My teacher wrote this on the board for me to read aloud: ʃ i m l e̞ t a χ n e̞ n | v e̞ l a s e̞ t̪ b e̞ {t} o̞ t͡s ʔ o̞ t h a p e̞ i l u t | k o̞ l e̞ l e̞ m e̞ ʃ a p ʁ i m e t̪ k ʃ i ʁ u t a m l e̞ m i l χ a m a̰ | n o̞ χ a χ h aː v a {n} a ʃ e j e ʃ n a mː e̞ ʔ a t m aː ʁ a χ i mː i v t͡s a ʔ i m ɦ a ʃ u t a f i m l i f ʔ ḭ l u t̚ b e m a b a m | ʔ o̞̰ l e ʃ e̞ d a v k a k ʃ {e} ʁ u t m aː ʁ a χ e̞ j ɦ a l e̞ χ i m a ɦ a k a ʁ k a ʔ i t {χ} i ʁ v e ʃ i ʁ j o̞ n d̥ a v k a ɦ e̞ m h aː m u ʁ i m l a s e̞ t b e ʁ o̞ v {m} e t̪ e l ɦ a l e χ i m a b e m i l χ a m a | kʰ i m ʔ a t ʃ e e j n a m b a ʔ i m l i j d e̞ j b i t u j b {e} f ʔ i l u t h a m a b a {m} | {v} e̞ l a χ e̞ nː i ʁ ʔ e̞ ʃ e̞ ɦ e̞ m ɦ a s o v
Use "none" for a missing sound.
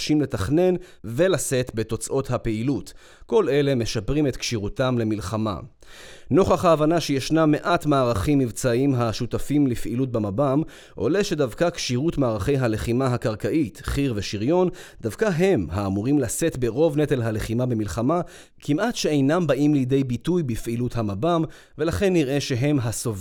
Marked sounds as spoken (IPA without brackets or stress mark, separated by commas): t, n, i, χ, n, i, m, v